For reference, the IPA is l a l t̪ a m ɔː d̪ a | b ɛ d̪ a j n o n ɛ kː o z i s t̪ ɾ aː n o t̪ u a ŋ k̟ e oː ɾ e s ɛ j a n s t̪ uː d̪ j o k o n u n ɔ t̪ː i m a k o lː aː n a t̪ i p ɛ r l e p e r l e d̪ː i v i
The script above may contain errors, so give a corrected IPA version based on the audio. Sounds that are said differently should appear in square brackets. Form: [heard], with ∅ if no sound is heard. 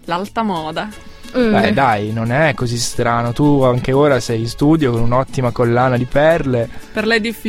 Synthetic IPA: l a l t̪ a m ɔː d̪ a | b ɛ d̪ a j n o n ɛ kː o z i s t̪ ɾ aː n o t̪ u a ŋ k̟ e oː ɾ [a] s ɛ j [i] n s t̪ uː d̪ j o k o n u n ɔ t̪ː i m a k o lː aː n a [d̪] i p ɛ r l e p e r l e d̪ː i [f] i